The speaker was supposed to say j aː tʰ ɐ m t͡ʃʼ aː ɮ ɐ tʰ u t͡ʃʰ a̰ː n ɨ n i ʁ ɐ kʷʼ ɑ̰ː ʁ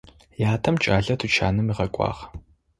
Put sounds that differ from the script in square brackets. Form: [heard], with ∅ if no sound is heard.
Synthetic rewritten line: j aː tʰ ɐ m t͡ʃʼ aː ɮ ɐ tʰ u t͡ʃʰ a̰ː n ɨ [m] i ʁ ɐ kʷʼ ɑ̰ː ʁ